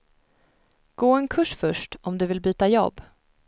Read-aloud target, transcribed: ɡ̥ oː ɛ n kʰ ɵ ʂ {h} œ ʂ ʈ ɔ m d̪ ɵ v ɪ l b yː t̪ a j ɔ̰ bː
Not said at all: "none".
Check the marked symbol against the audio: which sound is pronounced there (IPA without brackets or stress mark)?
f